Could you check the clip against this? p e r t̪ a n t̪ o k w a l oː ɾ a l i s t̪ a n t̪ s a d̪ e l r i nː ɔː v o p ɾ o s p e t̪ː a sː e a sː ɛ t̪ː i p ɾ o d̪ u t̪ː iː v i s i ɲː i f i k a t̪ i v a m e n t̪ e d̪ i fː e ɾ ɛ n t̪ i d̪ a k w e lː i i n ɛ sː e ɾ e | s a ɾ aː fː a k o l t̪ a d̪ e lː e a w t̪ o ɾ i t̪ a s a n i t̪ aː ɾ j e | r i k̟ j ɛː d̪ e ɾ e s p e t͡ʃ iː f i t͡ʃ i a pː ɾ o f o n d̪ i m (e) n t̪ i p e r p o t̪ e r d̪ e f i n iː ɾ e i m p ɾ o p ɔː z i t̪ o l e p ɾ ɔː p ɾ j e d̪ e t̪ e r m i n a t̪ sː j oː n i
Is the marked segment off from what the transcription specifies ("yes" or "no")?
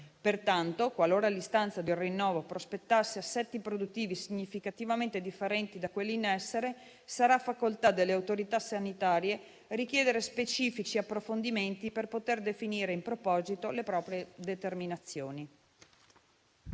no